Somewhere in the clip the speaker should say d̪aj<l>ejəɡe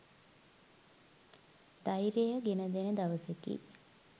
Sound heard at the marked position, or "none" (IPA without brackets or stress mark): ɾ